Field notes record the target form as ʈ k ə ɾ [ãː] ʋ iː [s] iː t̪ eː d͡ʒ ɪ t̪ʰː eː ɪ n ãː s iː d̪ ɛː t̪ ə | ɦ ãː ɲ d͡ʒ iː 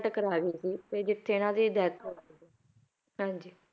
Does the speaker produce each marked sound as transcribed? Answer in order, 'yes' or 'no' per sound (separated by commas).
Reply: no, yes